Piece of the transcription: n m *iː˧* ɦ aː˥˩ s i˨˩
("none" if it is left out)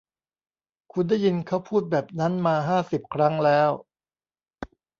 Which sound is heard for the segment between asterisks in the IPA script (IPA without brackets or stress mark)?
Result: aː˧